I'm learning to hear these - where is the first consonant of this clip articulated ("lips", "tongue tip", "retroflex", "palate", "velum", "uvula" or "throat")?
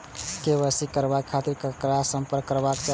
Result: velum